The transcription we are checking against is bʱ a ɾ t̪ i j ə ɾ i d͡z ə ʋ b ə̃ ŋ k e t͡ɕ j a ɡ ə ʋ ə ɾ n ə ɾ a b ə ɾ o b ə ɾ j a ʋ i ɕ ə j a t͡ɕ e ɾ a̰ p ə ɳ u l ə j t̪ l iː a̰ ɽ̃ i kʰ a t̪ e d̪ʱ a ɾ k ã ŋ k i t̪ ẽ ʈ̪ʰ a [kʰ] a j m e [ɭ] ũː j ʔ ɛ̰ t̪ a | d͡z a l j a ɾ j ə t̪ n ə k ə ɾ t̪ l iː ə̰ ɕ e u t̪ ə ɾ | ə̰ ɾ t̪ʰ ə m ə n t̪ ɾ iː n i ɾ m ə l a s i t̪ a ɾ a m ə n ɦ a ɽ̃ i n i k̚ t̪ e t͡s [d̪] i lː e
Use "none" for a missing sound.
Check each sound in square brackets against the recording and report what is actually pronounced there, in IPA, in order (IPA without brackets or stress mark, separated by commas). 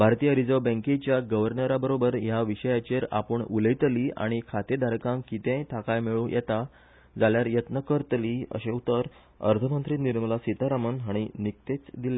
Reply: k, ɭ, d̪